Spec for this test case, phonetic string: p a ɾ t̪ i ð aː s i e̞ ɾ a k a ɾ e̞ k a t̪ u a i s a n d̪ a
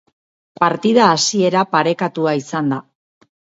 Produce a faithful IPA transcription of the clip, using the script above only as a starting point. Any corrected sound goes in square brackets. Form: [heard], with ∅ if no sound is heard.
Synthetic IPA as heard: p a ɾ t̪ i ð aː s i e̞ ɾ a [p] a ɾ e̞ k a t̪ u a i s a n d̪ a